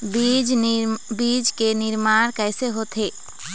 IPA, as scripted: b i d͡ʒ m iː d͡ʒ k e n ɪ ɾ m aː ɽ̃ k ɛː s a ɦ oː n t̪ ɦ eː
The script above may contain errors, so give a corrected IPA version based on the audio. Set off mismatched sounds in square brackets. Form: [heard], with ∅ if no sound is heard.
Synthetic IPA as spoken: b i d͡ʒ [b] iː d͡ʒ k e n ɪ ɾ m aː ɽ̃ k ɛː s [e] ɦ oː [∅] t̪ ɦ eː